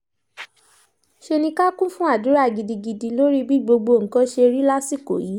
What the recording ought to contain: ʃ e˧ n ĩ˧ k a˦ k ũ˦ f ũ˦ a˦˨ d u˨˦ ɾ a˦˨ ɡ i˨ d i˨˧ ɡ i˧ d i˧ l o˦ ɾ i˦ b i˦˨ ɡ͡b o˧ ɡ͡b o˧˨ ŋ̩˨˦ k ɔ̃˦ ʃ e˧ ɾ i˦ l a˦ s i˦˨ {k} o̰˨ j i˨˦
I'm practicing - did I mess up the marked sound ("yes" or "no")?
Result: no